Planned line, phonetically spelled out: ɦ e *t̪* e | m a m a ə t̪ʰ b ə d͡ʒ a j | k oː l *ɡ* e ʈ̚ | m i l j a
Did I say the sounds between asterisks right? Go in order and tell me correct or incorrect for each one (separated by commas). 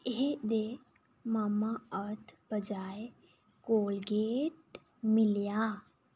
incorrect, correct